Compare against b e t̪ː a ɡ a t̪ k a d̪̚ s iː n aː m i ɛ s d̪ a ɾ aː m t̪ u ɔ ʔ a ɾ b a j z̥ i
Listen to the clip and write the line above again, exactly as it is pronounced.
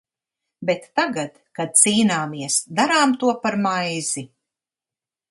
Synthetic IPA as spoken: b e t̪ː a ɡ a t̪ k a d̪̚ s iː n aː m i ɛ s d̪ a ɾ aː m t̪ u ɔ p a ɾ m a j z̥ i